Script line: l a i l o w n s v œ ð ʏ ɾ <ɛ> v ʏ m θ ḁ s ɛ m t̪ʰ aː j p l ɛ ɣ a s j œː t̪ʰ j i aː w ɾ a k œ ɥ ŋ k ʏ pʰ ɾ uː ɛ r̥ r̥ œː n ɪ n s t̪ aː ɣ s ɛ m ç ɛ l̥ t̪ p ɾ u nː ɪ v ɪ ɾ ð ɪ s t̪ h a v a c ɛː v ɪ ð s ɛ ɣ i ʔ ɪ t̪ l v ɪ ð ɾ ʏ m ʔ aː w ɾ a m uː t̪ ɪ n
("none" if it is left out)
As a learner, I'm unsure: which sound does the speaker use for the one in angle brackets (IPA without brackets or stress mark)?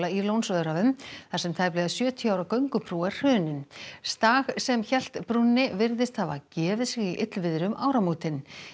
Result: a